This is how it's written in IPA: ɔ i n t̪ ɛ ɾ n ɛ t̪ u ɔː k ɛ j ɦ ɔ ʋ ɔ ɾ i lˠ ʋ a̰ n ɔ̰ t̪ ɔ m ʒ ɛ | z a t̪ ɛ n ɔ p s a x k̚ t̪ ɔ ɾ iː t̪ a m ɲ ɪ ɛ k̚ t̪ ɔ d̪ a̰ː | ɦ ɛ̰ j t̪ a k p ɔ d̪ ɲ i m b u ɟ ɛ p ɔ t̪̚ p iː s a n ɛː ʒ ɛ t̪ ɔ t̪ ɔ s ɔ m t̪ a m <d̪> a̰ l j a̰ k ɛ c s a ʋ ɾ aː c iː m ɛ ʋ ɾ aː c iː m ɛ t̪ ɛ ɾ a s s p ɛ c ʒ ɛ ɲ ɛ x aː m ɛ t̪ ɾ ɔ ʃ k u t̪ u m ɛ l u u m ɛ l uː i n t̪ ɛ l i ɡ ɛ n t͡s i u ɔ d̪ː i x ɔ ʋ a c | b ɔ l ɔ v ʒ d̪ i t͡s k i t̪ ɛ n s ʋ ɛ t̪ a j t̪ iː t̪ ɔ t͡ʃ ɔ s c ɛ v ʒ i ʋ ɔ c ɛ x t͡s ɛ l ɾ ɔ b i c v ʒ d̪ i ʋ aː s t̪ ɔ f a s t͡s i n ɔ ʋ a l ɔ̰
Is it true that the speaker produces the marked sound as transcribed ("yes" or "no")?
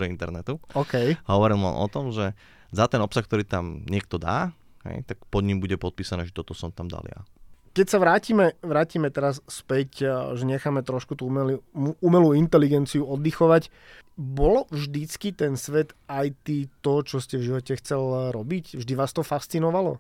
yes